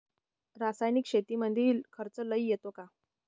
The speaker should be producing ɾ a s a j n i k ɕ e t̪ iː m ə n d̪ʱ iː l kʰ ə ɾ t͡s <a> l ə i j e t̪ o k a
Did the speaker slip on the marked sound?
yes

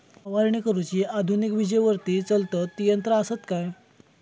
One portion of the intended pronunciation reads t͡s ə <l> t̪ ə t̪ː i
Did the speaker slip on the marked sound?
no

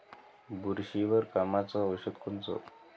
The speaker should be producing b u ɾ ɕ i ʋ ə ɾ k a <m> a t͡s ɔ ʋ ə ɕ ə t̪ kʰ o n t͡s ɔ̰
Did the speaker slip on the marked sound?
no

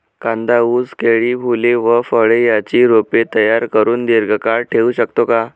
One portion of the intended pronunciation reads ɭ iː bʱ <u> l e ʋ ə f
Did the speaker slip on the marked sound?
no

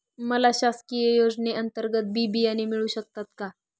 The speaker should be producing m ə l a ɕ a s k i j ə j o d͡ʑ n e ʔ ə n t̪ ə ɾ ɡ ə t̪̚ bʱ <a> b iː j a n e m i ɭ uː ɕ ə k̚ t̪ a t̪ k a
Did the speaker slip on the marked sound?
yes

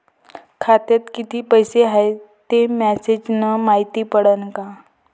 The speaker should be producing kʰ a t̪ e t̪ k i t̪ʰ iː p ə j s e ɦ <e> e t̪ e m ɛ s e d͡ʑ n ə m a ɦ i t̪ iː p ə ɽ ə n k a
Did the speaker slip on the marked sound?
yes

